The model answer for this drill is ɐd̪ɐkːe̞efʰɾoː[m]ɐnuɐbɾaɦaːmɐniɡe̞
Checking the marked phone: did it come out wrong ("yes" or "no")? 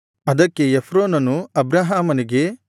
yes